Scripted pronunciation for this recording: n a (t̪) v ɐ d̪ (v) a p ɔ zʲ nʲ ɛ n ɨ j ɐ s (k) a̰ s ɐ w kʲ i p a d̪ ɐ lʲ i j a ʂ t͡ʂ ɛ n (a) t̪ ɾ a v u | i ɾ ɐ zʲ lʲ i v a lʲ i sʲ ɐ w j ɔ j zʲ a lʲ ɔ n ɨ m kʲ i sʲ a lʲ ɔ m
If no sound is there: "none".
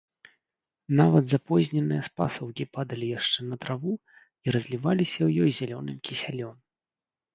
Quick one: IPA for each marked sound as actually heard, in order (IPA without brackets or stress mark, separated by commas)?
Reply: none, z, p, ɐ